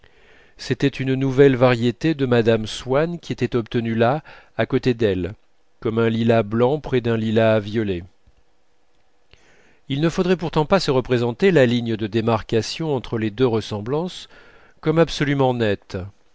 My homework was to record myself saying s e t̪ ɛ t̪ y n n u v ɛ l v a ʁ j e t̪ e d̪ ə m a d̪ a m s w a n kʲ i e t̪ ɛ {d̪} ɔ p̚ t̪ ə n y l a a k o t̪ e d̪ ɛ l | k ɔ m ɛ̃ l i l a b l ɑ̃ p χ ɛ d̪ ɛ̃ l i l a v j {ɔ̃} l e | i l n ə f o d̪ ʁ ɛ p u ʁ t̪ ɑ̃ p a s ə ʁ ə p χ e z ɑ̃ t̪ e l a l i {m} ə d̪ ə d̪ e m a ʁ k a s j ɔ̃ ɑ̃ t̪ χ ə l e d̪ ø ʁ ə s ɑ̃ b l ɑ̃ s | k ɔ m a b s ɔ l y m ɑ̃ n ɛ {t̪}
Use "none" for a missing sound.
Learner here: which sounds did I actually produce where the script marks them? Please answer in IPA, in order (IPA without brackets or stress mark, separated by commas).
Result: t̪, ɔ, ɲ, t̪